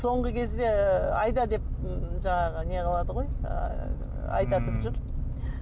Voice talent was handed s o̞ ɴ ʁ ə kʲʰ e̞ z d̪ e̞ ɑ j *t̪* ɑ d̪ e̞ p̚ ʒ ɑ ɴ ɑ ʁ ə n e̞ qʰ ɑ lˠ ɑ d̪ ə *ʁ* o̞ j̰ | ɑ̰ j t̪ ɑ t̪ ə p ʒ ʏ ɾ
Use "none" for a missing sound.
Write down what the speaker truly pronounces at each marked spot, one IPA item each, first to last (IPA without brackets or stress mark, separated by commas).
d̪, ʁ